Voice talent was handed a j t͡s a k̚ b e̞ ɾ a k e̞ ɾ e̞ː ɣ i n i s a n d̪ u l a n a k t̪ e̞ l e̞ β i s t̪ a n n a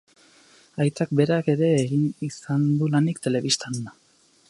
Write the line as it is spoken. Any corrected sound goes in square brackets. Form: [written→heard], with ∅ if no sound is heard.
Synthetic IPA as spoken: a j t͡s a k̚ b e̞ ɾ a k e̞ ɾ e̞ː ɣ i n i s a n d̪ u l a n [a→i] k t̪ e̞ l e̞ β i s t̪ a n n a